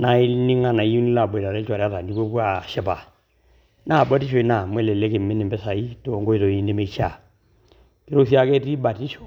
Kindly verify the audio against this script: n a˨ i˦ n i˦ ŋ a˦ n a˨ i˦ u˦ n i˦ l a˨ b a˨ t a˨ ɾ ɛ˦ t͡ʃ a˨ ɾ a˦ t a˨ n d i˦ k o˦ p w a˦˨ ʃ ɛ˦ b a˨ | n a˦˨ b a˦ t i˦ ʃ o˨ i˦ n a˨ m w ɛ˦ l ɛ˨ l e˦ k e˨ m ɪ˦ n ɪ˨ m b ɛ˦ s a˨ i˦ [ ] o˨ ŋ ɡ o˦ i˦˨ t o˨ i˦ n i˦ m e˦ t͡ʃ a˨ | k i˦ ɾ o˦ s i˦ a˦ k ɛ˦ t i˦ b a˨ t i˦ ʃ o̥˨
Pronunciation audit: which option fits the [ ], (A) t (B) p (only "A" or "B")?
A